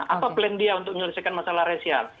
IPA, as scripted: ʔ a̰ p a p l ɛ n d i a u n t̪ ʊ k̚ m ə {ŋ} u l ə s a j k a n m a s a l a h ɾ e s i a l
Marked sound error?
yes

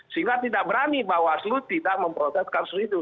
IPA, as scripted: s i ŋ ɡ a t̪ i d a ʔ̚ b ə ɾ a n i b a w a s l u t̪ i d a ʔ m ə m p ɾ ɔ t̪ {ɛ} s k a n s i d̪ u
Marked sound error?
no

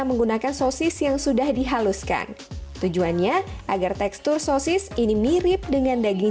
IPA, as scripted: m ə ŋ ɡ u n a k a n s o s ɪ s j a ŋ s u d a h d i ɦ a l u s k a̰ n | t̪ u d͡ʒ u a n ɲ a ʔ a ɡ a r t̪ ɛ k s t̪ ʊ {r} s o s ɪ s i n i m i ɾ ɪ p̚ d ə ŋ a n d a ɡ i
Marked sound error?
no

